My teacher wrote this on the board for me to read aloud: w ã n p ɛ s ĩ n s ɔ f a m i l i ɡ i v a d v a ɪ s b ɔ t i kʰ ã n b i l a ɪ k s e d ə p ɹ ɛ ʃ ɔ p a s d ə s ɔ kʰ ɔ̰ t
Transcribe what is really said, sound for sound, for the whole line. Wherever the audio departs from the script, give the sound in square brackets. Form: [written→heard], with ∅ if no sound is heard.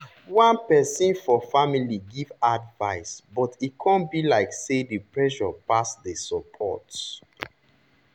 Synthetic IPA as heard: w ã n p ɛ s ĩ n [s→f] ɔ f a m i l i ɡ i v a d v a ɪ s b ɔ t i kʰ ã n b i l a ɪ k s e d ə p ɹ ɛ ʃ ɔ p a s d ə s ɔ [kʰ→pʰ] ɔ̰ t